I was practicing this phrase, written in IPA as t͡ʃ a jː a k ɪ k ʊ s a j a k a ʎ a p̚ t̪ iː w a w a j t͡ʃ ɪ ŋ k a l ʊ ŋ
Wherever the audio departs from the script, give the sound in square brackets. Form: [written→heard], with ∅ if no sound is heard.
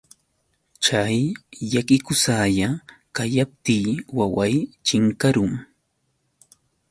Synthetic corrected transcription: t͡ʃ a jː a k ɪ k ʊ s a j a k a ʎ a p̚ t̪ iː w a w a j t͡ʃ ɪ ŋ k a [l→ɾ] ʊ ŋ